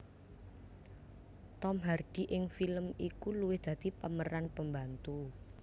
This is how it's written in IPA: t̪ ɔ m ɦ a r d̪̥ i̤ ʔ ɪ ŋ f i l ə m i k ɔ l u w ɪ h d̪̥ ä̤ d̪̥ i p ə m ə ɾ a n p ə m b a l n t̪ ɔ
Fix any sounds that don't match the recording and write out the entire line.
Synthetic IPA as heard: t̪ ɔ m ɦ a r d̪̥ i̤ ʔ ɪ ŋ f i l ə m i k u l u w ɪ h d̪̥ ä̤ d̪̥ i p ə m ə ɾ a n p ə m b a n t̪ u